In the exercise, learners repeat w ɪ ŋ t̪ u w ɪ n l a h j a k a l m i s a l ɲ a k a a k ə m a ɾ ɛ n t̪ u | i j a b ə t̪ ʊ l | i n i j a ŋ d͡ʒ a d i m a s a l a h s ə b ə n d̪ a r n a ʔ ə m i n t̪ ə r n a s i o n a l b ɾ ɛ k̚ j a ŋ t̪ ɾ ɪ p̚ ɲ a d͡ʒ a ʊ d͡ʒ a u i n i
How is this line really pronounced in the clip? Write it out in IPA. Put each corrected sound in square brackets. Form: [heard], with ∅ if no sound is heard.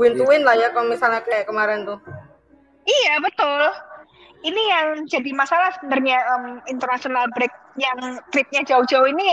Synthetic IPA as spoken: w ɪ [n] t̪ u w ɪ n l a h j a k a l m i s a l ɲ a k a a k ə m a ɾ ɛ n t̪ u | i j a b ə t̪ ʊ l | i n i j a ŋ d͡ʒ a d i m a s a l a h s ə b ə n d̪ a r [ɲ] a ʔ ə m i n t̪ ə r n a s i o n a l b ɾ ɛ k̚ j a ŋ t̪ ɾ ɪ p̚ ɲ a d͡ʒ a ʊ d͡ʒ a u i n i